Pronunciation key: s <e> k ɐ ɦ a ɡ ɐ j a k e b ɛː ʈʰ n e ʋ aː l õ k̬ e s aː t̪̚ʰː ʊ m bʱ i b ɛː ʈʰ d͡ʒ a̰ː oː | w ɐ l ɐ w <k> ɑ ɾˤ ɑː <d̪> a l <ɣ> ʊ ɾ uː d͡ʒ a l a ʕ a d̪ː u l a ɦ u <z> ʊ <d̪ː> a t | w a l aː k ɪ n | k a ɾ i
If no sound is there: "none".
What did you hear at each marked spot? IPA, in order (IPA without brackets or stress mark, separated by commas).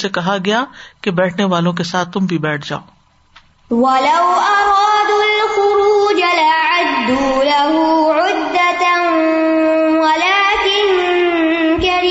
e, ʔ, d̪, x, ʕ, d̪ː